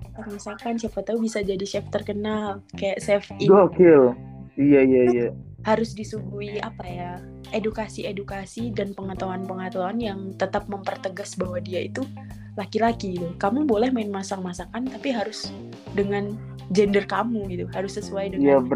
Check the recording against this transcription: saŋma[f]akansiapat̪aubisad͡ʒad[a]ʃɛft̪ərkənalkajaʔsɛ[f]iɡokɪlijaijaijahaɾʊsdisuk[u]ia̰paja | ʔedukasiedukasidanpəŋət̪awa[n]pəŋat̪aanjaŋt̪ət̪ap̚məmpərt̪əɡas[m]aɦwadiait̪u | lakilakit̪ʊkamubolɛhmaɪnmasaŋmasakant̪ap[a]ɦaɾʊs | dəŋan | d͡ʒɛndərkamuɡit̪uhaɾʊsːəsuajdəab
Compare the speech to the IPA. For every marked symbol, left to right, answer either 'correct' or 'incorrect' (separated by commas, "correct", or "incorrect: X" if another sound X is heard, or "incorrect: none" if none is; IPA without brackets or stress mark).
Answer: incorrect: s, incorrect: i, correct, correct, correct, incorrect: b, incorrect: i